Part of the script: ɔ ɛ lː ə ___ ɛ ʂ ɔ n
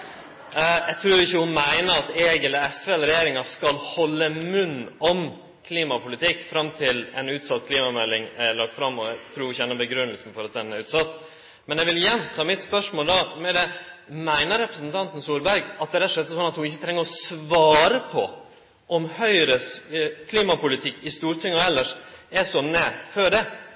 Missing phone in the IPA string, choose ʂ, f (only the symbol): ʂ